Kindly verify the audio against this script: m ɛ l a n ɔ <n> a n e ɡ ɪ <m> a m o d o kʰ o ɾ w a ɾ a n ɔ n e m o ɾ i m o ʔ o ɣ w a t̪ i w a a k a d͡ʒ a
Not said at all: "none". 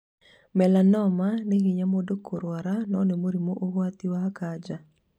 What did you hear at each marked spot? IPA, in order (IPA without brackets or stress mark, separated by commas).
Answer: m, ɲ